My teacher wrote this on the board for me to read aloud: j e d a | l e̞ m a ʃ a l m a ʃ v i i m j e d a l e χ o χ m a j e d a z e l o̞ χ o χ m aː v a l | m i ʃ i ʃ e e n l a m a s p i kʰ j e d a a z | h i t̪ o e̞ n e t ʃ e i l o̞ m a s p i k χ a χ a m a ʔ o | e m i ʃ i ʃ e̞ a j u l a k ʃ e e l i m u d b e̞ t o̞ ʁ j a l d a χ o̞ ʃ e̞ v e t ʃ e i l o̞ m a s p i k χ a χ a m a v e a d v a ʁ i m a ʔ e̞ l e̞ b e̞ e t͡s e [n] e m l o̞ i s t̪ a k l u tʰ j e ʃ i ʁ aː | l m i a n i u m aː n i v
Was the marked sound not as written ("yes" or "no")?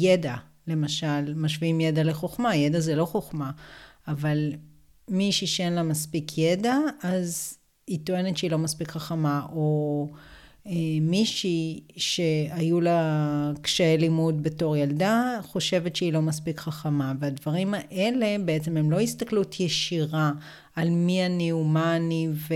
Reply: yes